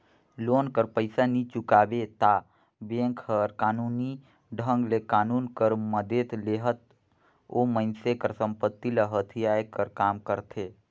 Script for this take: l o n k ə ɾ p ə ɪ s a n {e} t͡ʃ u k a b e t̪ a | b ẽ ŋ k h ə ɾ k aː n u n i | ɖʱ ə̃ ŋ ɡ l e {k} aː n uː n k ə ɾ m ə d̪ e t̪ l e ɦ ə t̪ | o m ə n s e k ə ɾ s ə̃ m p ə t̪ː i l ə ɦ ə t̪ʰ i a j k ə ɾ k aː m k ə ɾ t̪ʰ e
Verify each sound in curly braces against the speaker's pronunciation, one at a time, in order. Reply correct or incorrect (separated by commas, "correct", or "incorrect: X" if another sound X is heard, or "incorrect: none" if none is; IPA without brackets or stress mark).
incorrect: i, correct